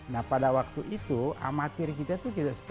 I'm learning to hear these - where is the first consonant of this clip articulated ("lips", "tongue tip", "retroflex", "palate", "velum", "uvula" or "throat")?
tongue tip